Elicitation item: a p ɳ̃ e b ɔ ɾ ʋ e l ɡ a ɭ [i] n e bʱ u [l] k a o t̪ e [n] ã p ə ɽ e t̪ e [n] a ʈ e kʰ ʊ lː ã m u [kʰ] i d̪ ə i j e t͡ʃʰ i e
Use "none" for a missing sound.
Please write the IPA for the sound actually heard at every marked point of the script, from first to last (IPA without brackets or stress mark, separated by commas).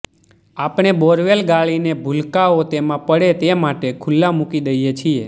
i, l, m, m, k